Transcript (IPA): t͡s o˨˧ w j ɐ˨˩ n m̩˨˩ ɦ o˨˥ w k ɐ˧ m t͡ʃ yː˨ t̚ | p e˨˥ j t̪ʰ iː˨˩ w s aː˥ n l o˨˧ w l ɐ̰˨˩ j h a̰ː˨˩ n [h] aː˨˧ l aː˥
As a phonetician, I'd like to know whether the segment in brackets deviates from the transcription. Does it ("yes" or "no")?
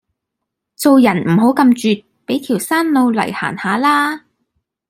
no